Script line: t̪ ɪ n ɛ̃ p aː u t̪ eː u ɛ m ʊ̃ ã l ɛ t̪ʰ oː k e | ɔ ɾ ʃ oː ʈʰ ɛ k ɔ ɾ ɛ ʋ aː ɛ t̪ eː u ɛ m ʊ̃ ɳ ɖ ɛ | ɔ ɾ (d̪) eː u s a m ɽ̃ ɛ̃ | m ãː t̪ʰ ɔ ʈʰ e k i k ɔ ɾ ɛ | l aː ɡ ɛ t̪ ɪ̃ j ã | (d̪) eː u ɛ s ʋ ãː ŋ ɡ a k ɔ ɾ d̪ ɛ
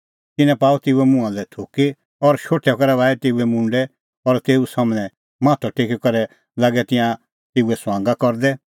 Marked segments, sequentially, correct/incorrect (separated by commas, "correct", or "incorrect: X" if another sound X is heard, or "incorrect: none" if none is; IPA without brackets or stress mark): incorrect: t̪, incorrect: t̪